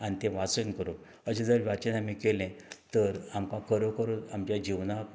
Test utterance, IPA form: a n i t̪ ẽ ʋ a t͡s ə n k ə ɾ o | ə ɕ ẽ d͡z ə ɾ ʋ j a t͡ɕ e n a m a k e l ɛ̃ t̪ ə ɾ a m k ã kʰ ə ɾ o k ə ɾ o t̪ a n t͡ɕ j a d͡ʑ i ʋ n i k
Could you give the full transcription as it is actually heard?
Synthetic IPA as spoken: a n i t̪ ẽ ʋ a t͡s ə n k ə ɾ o | ə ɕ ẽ d͡z ə ɾ ʋ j a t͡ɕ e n a m i k e l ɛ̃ t̪ ə ɾ a m k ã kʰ ə ɾ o k ə ɾ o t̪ a m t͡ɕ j a d͡ʑ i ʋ n a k